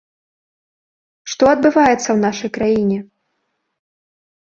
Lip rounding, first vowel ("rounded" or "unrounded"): rounded